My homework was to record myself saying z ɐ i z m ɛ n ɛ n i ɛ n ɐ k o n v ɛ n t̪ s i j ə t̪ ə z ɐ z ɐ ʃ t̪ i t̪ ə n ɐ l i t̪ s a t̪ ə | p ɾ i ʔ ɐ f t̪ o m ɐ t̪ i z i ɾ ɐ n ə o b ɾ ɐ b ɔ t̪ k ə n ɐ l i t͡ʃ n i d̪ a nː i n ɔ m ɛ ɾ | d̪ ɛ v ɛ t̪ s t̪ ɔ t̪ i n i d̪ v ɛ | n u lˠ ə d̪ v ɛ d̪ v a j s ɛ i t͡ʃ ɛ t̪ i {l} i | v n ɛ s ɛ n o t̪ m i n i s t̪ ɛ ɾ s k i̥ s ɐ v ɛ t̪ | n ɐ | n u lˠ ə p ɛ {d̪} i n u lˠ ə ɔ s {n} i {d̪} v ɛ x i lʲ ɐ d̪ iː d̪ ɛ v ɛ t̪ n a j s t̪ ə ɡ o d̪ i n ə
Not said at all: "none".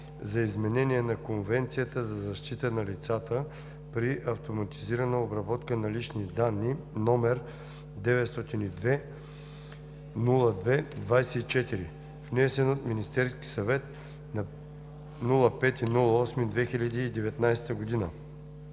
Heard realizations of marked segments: ɾ, t̪, m, d̪

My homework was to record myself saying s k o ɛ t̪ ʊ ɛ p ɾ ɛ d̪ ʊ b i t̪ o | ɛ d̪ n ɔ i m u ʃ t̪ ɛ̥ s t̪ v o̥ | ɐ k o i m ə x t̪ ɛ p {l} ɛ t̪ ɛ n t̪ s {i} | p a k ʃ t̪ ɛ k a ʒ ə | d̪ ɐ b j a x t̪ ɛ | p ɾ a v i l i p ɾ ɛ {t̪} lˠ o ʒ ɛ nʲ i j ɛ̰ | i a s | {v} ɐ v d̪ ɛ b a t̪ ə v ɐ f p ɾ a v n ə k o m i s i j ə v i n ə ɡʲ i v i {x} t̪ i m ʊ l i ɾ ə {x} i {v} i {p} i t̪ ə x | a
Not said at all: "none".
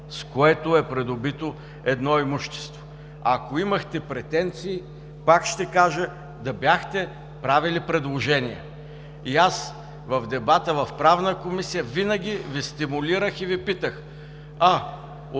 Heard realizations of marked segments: ɾ, iː, d̪, v, s, x, v, p

